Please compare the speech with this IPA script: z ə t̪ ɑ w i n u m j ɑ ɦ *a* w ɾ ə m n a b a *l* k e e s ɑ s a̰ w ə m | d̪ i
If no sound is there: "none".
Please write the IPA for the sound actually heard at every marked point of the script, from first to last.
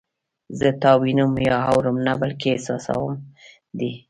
a, l

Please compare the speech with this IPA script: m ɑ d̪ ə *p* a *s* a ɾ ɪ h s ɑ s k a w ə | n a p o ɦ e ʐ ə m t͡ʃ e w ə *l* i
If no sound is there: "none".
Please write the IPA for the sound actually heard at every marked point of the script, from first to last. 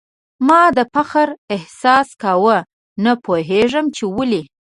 p, x, l

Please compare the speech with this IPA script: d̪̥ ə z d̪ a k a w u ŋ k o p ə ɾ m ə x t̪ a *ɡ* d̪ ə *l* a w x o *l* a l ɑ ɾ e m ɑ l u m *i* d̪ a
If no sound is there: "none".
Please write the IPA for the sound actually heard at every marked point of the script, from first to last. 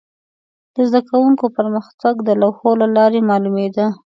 ɡ, l, l, e

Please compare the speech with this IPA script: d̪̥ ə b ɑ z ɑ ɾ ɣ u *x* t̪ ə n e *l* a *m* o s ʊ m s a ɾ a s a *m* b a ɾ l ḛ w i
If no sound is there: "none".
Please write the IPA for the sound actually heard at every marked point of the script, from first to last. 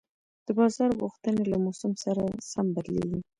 x, l, m, m

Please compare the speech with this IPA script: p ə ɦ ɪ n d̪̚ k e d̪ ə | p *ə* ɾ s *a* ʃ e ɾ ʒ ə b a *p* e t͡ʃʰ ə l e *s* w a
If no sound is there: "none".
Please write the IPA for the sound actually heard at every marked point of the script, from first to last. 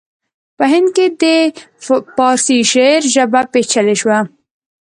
ɑ, i, p, ʃ

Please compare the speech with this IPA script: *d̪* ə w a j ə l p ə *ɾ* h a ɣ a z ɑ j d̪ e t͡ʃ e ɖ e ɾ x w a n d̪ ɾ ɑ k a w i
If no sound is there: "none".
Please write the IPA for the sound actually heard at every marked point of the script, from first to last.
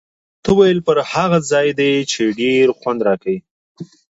t̪, ɾ

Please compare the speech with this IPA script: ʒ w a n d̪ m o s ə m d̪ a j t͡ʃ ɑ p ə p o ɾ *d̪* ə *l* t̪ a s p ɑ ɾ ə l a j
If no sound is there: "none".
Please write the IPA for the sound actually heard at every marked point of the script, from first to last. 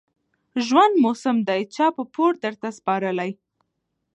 d̪, ɾ

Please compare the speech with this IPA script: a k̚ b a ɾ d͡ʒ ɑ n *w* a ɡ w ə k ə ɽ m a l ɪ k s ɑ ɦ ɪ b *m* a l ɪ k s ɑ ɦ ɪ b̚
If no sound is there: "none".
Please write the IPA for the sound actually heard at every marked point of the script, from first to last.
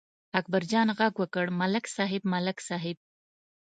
ɣ, m

